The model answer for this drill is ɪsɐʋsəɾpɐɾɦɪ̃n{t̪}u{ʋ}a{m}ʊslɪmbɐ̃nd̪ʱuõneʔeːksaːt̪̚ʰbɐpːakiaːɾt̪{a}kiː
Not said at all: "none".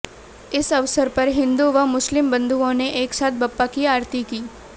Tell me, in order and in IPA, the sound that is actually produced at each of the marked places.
d̪, ʋ, m, i

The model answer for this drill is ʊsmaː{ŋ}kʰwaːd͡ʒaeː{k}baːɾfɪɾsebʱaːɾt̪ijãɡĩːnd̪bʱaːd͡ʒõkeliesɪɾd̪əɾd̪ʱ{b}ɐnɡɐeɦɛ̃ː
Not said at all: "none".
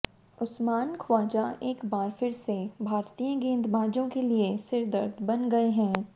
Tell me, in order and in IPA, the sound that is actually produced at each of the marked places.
n, k, b

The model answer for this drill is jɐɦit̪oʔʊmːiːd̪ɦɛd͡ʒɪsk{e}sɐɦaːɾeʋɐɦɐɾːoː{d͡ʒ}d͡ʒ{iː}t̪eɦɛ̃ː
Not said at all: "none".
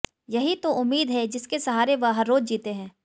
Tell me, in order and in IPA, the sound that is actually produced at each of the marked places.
e, d͡ʒ, iː

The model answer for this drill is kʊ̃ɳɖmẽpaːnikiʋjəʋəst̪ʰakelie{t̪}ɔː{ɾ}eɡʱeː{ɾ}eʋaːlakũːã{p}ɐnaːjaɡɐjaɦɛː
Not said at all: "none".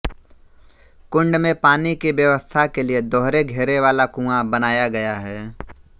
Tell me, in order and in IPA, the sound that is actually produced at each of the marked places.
d̪, ɾ, ɾ, b

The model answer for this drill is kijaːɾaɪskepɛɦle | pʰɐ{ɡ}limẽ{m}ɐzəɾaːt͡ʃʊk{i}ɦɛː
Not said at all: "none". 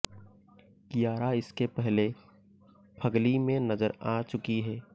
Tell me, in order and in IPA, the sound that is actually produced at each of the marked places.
ɡ, n, i

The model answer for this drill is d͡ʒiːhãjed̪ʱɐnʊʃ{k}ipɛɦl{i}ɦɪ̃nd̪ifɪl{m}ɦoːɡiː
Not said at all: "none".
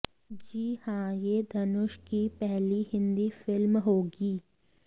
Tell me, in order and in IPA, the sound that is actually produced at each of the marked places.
k, i, m

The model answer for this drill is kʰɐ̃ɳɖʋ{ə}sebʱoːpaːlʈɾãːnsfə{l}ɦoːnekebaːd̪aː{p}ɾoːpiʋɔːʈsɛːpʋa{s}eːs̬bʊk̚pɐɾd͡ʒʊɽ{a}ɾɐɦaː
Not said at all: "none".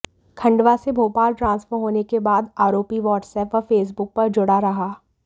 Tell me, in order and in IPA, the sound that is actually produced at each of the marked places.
a, ɾ, none, f, a

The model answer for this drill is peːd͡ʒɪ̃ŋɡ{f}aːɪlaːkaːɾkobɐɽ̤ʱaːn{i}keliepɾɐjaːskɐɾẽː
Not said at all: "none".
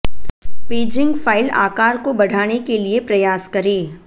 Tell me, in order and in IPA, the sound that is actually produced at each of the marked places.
f, e

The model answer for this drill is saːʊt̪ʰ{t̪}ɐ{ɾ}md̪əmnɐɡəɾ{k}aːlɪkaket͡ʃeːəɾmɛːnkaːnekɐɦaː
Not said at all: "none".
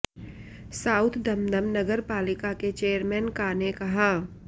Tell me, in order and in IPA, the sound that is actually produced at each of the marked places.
d̪, none, p

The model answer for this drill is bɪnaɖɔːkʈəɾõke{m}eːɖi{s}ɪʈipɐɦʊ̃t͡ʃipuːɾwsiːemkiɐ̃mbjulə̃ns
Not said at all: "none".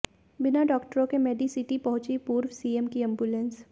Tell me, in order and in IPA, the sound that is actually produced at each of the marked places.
m, s

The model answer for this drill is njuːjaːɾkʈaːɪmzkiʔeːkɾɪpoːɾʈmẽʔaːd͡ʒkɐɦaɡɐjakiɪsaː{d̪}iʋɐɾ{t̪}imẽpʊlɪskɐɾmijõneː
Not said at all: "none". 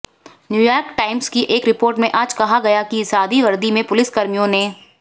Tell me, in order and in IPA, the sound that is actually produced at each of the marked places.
d̪, d̪

